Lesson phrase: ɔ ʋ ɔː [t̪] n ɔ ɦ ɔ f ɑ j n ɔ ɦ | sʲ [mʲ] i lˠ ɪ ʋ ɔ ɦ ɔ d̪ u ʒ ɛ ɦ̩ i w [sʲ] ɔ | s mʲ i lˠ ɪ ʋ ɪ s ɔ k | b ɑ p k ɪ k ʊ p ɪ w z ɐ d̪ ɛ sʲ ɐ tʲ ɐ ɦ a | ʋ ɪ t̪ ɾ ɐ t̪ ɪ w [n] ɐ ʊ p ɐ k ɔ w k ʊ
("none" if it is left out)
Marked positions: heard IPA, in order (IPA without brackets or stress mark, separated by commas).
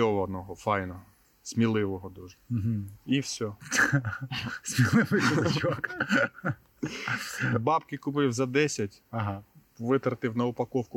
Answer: d̪, mʲ, sʲ, n